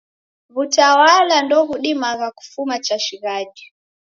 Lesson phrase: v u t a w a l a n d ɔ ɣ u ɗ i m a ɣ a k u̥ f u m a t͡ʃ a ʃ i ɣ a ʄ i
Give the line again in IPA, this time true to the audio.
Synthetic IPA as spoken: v u t a w a l a n d ɔ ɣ u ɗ i m a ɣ a k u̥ f u m a t͡ʃ a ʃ i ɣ a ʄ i